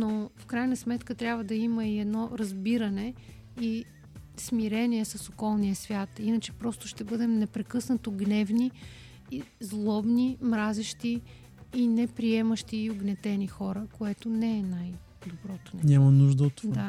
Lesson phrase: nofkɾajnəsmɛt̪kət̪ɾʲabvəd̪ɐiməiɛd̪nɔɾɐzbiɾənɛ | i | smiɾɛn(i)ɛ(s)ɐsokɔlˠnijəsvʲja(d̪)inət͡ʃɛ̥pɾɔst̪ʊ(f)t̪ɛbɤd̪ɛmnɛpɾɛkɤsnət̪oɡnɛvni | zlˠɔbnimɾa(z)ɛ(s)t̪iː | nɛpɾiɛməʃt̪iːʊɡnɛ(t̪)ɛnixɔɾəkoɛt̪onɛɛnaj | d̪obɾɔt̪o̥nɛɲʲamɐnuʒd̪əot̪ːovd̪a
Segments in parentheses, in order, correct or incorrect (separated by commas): correct, correct, incorrect, incorrect, correct, incorrect, correct